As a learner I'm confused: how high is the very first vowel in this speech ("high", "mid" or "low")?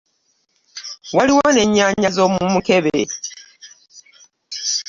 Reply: low